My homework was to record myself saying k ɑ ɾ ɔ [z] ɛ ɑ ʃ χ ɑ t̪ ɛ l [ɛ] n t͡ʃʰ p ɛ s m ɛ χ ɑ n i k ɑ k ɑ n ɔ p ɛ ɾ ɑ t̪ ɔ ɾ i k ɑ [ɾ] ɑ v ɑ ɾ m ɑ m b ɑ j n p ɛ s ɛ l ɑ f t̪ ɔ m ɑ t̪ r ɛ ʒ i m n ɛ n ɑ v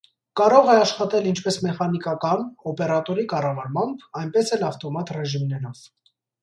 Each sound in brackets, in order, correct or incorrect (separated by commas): incorrect, incorrect, incorrect